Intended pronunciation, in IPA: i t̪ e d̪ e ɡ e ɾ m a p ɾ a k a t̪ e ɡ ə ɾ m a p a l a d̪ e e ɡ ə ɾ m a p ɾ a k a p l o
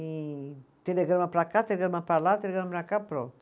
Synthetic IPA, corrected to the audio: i t̪ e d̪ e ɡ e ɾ m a p ɾ a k a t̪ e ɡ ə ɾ m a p a l a t̪ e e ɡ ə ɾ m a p ɾ a k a p ɾ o